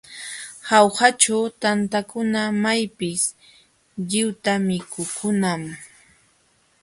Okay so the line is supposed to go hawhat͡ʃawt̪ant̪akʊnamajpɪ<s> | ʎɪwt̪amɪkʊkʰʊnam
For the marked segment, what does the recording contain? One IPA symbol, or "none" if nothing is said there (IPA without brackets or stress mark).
s